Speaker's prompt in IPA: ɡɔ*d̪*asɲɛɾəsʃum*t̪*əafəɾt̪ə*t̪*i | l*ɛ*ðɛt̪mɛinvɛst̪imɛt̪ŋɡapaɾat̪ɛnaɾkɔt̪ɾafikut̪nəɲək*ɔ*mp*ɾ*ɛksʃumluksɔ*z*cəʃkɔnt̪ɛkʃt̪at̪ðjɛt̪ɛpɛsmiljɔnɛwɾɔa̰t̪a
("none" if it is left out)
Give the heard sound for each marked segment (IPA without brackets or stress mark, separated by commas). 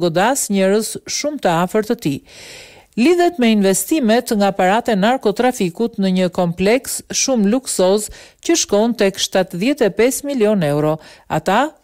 d̪, t̪, t̪, i, ɔ, l, z